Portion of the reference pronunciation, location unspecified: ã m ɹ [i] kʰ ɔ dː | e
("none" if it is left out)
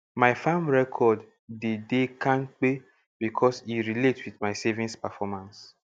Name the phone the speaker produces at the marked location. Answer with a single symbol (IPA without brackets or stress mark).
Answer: ɛ